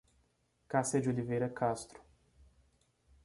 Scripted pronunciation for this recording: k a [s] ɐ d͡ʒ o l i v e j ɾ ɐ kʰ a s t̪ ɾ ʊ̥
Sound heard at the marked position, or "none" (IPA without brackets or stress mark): s